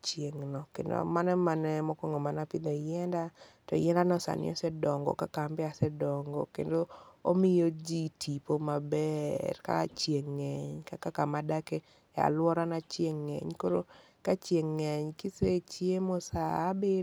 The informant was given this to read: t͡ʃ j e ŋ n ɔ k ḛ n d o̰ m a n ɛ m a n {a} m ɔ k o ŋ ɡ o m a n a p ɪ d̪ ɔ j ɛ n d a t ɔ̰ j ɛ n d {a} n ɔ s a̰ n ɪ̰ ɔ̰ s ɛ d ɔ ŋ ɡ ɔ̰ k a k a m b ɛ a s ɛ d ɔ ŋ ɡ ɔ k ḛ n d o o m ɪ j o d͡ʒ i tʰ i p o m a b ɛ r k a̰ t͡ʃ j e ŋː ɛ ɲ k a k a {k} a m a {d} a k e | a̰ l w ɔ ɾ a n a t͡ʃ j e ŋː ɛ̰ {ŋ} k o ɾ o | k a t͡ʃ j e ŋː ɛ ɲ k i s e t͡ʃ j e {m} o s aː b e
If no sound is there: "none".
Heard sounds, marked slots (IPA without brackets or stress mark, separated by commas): ɛ, a, k, d, ɲ, m